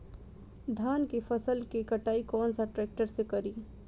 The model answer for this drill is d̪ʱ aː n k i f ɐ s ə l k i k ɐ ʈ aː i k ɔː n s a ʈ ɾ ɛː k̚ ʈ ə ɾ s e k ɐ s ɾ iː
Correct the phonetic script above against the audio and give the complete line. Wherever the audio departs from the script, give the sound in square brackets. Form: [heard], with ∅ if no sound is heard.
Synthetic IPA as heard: d̪ʱ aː n k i f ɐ s ə l k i k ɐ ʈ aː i k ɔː n s a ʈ ɾ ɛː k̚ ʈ ə ɾ s e k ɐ [∅] ɾ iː